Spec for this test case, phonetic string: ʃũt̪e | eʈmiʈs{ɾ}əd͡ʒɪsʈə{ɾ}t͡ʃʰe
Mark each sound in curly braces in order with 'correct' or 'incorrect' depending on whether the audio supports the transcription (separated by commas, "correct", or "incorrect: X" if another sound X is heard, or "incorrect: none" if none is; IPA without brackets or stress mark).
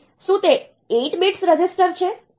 correct, correct